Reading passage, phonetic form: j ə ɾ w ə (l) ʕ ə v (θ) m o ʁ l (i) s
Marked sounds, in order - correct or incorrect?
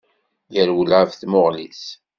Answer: correct, correct, correct

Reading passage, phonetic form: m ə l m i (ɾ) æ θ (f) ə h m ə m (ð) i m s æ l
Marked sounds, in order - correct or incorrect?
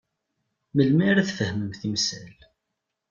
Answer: correct, correct, incorrect: θ

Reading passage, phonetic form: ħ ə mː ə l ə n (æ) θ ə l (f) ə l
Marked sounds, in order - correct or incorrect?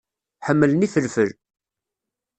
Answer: incorrect: i, correct

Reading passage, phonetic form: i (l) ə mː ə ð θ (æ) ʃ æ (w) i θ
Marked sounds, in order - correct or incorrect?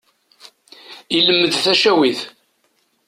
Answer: correct, correct, correct

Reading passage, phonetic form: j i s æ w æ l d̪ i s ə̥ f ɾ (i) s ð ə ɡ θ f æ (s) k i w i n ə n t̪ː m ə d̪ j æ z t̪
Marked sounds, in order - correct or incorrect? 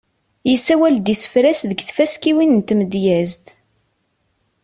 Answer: incorrect: æ, correct

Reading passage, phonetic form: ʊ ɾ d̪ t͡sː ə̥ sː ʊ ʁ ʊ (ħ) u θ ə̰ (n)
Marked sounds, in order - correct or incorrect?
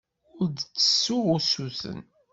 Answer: incorrect: s, correct

